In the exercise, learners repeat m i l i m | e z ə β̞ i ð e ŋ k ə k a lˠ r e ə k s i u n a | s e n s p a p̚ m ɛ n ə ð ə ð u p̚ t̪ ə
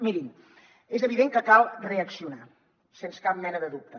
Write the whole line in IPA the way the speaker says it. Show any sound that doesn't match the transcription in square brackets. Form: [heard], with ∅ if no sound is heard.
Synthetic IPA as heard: m i [ɾ] i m | e z ə β̞ i ð e ŋ k ə k a lˠ r e ə k s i u n a | s e n s [k] a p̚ m ɛ n ə ð ə ð u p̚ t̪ ə